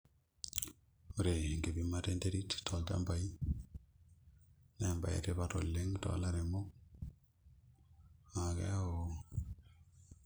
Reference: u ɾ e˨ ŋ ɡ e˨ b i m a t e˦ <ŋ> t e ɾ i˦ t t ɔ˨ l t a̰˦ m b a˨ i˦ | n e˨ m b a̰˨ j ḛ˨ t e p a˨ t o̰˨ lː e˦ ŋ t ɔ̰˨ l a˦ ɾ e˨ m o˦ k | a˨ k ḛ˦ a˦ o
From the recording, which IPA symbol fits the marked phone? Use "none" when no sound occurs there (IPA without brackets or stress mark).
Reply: n